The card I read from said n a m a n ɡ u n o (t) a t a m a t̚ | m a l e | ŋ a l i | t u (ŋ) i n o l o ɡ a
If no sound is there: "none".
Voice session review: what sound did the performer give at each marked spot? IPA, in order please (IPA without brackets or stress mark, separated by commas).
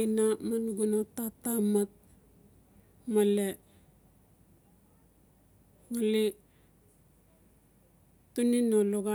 t, n